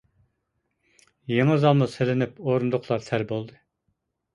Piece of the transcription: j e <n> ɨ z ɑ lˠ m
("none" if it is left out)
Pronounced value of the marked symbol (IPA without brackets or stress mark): ŋ